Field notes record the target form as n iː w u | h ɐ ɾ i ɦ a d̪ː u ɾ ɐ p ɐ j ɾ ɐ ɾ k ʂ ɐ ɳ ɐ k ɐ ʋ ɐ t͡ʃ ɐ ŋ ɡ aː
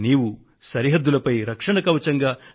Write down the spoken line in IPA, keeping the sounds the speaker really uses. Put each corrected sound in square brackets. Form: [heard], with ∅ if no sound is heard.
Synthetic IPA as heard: n iː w u | [s] ɐ ɾ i ɦ [ɐ] d̪ː u [l] ɐ p ɐ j ɾ ɐ [∅] k ʂ ɐ ɳ ɐ k ɐ ʋ ɐ t͡ʃ ɐ ŋ ɡ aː